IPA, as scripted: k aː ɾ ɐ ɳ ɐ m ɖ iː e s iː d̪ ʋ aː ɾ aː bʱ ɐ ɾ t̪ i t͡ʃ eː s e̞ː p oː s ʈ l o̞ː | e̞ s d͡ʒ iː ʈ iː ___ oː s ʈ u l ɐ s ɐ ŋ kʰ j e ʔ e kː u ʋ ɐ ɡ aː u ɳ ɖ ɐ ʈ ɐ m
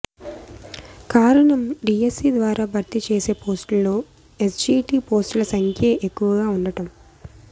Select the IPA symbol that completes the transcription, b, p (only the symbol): p